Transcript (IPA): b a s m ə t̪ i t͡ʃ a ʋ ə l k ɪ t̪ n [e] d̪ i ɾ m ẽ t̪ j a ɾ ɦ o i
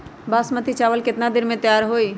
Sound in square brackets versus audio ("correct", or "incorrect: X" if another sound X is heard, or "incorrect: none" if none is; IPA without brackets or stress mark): incorrect: a